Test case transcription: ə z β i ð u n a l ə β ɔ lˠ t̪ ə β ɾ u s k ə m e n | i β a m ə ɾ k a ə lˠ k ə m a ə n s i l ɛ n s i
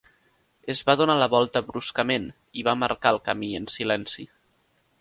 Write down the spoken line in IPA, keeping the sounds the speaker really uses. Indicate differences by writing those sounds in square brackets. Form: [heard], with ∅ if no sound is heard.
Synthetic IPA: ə z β [a] ð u n a l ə β ɔ lˠ t̪ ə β ɾ u s k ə m e n | i β a m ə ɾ k a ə lˠ k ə m [i] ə n s i l ɛ n s i